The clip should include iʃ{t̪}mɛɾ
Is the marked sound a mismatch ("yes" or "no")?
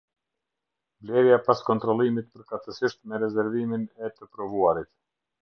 no